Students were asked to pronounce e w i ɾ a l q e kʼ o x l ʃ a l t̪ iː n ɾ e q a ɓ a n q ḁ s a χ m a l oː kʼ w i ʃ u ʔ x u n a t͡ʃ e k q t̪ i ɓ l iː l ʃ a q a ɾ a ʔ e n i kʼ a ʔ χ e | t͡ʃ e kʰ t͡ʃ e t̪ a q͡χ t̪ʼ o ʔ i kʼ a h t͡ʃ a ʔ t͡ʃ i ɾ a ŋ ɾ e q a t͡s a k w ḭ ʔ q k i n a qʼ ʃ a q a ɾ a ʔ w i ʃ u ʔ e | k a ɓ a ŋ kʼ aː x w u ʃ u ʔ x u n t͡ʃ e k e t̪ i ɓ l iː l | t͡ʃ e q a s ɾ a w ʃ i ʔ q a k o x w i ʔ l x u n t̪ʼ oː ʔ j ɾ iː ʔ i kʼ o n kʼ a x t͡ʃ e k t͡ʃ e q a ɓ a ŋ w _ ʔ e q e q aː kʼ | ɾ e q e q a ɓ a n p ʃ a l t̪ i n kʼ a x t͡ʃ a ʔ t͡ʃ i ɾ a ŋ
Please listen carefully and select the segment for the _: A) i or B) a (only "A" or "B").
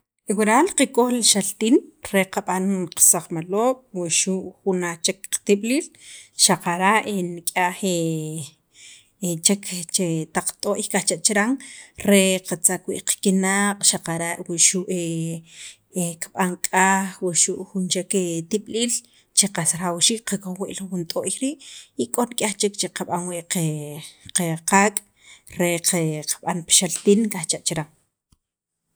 A